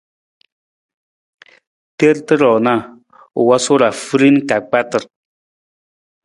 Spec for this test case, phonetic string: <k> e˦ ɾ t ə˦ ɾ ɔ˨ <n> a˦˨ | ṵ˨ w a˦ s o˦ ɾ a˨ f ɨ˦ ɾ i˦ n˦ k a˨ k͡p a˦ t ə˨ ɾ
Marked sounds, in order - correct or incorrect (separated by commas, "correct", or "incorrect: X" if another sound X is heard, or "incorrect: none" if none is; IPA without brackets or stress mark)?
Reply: incorrect: t, correct